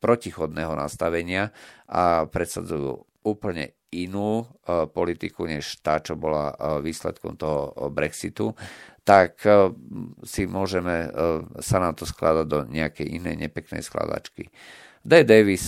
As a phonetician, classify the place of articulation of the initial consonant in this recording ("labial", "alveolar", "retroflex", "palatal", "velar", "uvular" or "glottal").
labial